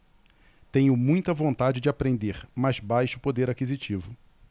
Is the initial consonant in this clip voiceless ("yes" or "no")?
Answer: yes